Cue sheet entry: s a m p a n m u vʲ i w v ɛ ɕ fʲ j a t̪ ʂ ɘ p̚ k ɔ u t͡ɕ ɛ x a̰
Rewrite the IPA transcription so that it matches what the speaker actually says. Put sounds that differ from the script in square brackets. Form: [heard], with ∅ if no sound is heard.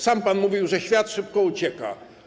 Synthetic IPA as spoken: s a m p a n m u vʲ i w [ʐ] ɛ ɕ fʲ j a t̪ ʂ ɘ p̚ k ɔ u t͡ɕ ɛ [k] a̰